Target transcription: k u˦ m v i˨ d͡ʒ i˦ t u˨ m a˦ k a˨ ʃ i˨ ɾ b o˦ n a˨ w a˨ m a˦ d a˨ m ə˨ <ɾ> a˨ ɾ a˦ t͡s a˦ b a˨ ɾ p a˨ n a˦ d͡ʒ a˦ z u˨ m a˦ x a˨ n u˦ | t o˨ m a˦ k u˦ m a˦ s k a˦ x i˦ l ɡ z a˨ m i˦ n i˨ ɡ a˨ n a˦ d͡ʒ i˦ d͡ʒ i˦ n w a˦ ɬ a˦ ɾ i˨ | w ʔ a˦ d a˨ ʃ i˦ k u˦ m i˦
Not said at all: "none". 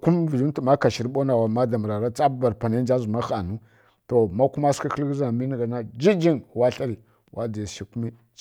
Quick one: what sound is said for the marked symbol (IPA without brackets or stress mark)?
ɾ